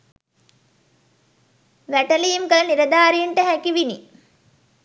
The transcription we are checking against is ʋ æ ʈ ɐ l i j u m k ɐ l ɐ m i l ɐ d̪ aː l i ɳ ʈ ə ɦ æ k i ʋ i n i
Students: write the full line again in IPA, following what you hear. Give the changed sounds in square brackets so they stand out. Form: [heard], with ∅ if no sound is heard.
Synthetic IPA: ʋ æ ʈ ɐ l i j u m k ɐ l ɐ [n] i [ɾ] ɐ d̪ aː [ɾ] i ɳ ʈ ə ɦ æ k i ʋ i n i